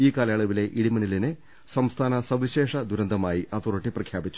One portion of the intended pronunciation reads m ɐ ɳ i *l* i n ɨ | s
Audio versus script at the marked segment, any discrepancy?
no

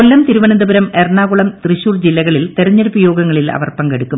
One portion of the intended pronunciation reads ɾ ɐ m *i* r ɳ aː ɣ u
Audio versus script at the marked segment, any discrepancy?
yes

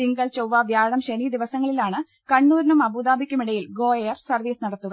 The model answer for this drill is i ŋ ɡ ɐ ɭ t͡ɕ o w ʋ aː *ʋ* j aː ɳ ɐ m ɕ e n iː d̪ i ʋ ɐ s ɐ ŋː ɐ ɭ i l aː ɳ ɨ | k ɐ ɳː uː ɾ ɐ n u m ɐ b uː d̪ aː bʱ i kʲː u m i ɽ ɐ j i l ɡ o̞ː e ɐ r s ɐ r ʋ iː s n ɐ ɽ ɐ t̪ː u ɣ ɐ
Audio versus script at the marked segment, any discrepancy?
no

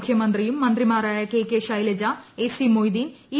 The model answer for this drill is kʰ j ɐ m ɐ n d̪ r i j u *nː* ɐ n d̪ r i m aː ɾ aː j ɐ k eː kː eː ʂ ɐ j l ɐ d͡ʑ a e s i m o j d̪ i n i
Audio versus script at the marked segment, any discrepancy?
yes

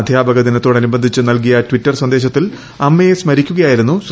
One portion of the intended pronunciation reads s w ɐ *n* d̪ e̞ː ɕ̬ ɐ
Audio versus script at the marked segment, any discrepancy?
no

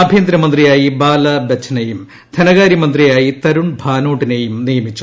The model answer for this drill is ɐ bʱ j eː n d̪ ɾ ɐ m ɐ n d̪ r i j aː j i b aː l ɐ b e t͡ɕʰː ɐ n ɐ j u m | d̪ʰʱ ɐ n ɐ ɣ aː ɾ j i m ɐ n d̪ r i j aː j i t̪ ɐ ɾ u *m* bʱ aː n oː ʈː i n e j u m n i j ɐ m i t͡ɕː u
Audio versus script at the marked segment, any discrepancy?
yes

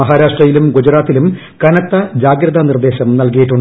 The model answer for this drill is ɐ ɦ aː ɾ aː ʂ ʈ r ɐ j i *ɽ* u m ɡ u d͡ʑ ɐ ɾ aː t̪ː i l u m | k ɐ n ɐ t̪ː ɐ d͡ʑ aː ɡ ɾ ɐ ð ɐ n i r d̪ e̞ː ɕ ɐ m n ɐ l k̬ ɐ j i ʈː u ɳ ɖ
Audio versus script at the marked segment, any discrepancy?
yes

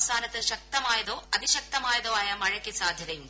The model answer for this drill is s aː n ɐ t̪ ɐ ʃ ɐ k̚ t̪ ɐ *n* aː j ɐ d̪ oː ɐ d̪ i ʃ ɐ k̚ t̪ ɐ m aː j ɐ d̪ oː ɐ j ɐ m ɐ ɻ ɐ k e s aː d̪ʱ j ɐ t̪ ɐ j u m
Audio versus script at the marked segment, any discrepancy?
yes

